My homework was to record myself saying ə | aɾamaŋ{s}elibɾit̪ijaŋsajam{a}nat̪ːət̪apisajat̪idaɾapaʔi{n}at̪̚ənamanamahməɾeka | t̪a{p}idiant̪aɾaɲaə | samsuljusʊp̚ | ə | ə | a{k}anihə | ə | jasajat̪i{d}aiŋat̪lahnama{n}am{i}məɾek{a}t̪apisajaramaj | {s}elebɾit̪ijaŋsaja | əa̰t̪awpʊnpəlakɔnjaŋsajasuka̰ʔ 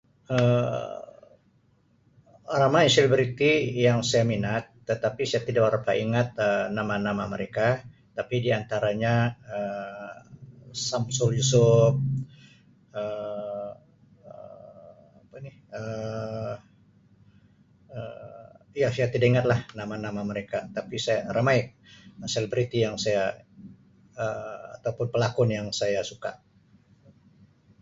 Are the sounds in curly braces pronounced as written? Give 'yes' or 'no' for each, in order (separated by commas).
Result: yes, no, no, yes, no, yes, yes, no, yes, yes